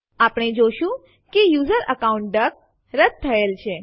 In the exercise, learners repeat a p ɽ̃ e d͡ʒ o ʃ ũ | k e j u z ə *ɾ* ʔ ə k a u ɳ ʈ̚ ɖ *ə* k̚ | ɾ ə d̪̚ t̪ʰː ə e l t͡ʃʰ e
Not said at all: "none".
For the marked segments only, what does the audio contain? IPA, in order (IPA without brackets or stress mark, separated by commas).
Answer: ɾ, ə